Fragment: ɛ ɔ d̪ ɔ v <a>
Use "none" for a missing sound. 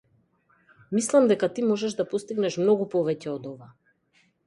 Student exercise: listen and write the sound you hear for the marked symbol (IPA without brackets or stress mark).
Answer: a